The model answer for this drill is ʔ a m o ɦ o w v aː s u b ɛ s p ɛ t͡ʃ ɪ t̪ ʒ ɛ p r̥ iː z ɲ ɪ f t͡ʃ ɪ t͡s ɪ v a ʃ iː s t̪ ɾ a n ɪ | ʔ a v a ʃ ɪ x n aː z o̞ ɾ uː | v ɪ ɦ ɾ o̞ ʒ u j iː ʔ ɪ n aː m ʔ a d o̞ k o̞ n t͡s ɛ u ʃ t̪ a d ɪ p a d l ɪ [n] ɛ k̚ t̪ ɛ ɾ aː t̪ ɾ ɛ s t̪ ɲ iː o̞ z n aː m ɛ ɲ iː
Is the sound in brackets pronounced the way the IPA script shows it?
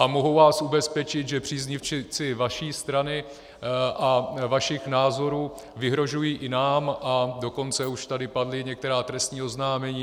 no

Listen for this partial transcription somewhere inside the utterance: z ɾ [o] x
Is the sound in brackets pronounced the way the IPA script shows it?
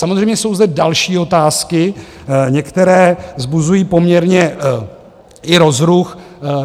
no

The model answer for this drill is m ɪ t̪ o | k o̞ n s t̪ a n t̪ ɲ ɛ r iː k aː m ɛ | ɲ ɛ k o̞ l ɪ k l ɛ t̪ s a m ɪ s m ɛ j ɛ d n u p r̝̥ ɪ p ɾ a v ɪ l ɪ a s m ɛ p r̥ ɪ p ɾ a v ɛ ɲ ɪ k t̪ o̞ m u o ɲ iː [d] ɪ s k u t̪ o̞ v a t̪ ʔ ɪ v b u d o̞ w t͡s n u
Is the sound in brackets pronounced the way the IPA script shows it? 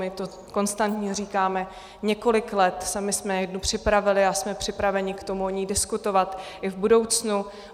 yes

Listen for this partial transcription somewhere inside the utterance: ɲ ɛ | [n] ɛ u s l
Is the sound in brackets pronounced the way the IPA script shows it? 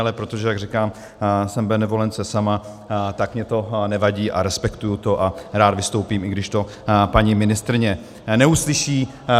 yes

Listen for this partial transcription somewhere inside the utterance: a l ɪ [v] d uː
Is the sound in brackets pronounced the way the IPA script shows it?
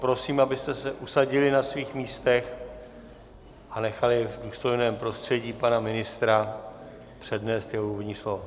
yes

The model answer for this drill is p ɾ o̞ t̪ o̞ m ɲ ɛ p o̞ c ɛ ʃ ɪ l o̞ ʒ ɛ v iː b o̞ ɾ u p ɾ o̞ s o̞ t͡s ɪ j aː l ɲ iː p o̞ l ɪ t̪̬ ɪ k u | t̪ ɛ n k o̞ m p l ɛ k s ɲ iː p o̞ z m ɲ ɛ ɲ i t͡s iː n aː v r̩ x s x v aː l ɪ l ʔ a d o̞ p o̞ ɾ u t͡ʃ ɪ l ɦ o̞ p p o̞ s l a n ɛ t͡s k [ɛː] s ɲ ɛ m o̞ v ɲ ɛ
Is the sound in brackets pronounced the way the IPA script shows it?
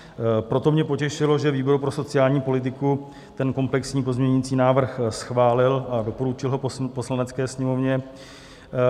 yes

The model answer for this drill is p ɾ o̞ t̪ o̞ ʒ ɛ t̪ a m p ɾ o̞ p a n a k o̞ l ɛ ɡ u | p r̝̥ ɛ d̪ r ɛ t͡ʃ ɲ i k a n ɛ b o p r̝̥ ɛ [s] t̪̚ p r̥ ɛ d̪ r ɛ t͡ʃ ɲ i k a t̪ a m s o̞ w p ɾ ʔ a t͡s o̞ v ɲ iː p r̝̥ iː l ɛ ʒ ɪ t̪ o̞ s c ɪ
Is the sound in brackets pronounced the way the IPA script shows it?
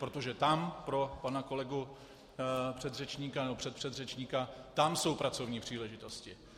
no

